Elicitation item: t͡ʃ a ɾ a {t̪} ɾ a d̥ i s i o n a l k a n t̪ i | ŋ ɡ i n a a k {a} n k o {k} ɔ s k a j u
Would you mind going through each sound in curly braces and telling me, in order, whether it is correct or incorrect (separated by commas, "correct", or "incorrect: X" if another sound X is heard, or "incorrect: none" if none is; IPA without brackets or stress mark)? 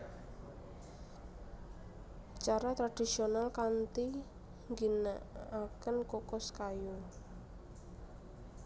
correct, incorrect: ə, correct